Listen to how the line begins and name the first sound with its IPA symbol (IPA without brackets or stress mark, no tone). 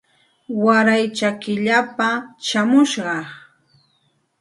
w